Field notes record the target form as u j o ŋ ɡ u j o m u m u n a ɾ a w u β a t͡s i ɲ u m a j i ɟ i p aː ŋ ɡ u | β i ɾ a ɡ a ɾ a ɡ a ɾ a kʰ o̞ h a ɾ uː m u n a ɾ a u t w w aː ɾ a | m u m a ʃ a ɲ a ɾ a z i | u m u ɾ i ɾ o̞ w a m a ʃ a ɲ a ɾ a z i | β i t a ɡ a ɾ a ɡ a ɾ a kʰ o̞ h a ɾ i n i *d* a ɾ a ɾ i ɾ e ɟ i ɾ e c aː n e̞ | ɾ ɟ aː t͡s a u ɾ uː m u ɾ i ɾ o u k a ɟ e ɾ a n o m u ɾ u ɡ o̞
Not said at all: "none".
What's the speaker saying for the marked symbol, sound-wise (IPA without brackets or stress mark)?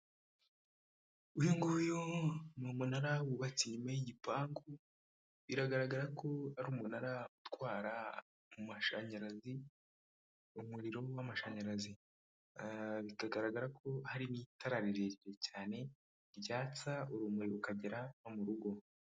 t